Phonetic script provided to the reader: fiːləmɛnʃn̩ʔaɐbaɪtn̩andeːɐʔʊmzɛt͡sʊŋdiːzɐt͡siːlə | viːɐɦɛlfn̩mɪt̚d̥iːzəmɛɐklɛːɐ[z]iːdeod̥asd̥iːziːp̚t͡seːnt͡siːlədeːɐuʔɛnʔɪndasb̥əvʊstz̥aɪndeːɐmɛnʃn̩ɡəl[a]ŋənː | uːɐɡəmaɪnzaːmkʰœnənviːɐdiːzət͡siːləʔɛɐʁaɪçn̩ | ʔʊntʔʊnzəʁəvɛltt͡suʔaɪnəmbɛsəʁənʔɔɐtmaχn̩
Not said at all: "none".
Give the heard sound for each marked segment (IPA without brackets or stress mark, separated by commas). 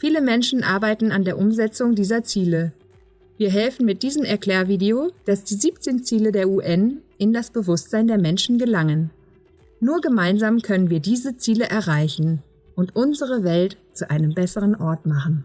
v, a